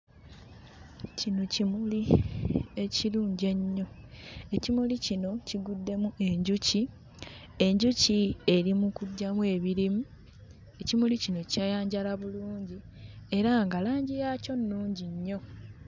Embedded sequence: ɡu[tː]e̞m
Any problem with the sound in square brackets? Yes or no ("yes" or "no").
yes